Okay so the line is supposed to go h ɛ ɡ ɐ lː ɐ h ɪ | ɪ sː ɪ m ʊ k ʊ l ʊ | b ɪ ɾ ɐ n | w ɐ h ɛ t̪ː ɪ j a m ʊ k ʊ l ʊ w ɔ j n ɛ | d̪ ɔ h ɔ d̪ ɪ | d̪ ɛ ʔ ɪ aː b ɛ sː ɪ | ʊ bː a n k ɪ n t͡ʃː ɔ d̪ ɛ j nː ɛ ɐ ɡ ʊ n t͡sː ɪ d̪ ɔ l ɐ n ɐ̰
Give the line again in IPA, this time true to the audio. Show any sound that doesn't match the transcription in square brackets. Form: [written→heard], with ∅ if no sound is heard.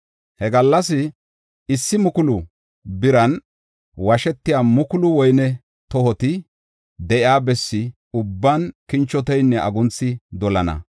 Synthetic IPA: h ɛ ɡ ɐ lː ɐ [h→s] ɪ | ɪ sː ɪ m ʊ k ʊ l ʊ | b ɪ ɾ ɐ n | w ɐ [h→ʃ] ɛ t̪ː ɪ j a m ʊ k ʊ l ʊ w ɔ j n ɛ | [d̪→t̪] ɔ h ɔ [d̪→t̪] ɪ | d̪ ɛ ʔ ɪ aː b ɛ sː ɪ | ʊ bː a n k ɪ n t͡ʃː ɔ [d̪→t̪] ɛ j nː ɛ ɐ ɡ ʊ n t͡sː ɪ d̪ ɔ l ɐ n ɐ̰